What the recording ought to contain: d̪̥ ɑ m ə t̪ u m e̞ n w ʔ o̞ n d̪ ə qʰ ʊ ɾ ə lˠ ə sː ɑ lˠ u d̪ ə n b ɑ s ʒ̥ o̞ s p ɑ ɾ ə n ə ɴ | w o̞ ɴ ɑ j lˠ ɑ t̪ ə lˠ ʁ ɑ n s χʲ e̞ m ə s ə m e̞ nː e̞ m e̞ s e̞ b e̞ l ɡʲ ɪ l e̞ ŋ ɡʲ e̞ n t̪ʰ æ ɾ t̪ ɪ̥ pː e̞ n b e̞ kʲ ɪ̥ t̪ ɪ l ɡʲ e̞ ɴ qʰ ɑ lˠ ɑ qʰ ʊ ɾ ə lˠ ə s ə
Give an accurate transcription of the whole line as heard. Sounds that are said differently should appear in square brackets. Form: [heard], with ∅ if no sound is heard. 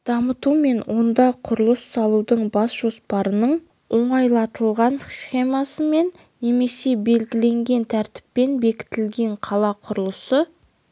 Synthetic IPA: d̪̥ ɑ m ə t̪ u m e̞ n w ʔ o̞ n d̪ [ɑ] qʰ ʊ ɾ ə lˠ ə sː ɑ lˠ u d̪ ə [ɴ] b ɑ s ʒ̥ o̞ s p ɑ ɾ ə n ə ɴ | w o̞ ɴ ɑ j lˠ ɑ t̪ ə lˠ ʁ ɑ n s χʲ e̞ m [ɑ] s ə m e̞ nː e̞ m e̞ s e̞ b e̞ l ɡʲ ɪ l e̞ ŋ ɡʲ e̞ n t̪ʰ æ ɾ t̪ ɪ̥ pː e̞ n b e̞ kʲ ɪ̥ t̪ ɪ l ɡʲ e̞ ɴ qʰ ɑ lˠ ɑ qʰ ʊ ɾ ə lˠ ə s ə